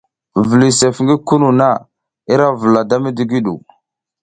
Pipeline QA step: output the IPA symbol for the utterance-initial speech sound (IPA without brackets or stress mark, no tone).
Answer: v